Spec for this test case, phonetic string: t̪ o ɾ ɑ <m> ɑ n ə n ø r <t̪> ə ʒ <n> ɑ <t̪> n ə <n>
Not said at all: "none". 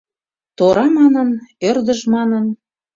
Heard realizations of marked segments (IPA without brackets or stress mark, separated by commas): m, d̪, m, none, n